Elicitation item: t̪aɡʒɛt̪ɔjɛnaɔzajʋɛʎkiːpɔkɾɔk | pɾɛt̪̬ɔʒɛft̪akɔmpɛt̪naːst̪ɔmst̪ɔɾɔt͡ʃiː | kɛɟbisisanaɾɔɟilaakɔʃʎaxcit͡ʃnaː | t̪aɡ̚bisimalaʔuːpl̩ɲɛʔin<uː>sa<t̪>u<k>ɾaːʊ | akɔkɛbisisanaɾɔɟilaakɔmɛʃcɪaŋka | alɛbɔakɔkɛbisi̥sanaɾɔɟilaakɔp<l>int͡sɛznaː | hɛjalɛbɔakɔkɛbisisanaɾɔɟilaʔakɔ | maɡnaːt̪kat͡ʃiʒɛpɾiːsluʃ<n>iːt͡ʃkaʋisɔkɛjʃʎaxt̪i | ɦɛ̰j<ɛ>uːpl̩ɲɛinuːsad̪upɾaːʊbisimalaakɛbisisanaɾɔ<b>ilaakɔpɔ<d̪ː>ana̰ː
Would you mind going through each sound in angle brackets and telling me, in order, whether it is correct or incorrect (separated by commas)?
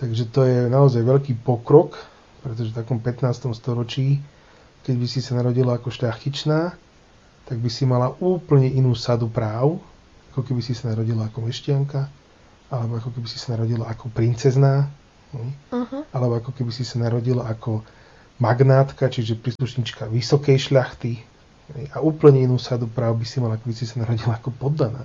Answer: correct, incorrect, incorrect, incorrect, incorrect, incorrect, incorrect, correct